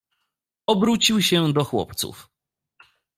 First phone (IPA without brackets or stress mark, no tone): ɔ